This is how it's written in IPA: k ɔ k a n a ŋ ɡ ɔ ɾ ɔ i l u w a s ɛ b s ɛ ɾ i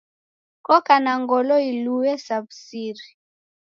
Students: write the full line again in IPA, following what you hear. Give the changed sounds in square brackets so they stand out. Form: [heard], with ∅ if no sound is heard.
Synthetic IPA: k ɔ k a n a ŋ ɡ ɔ [l] ɔ i l u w [ɛ] s [a] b s [i] ɾ i